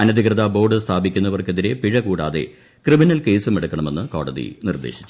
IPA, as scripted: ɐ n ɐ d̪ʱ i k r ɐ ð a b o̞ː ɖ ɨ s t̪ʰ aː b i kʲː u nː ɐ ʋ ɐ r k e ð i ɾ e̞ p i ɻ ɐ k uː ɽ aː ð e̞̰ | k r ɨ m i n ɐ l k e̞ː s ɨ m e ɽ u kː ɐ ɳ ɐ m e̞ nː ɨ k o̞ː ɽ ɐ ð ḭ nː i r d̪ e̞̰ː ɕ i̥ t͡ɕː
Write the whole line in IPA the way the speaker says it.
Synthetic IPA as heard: ɐ n ɐ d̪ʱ i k r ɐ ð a b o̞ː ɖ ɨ s t̪ʰ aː b i kʲː u nː ɐ ʋ ɐ r k e ð i ɾ e̞ p i ɻ ɐ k uː ɽ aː ð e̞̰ | k r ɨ m i n ɐ l k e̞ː s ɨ m e ɽ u kː ɐ ɳ ɐ m e̞ nː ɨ k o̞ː ɽ ɐ ð ḭ n i r d̪ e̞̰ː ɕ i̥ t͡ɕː